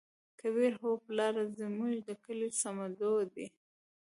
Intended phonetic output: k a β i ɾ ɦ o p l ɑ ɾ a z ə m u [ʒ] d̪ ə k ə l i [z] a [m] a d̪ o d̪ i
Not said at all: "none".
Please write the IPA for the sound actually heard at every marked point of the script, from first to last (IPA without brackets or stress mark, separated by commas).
ʒ, s, m